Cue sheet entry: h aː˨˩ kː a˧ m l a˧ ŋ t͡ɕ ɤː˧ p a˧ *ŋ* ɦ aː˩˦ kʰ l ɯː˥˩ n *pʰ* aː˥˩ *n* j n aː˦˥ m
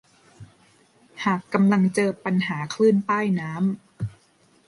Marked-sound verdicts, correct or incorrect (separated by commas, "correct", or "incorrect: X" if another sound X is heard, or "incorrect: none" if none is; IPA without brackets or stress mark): incorrect: n, incorrect: p, incorrect: none